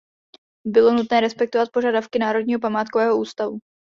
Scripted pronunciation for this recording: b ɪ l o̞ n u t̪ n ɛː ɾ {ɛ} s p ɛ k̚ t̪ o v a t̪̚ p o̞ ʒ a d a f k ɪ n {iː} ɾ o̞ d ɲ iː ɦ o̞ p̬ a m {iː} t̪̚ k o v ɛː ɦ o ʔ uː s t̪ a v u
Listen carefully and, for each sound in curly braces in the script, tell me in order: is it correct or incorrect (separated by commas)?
correct, incorrect, incorrect